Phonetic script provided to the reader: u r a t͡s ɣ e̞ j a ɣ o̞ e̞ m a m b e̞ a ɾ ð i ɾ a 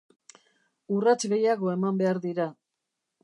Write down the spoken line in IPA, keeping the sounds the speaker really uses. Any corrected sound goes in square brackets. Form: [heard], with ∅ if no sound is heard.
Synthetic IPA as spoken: u r a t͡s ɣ e̞ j a ɣ o̞ e̞ m a m b e̞ a ɾ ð i ɾ a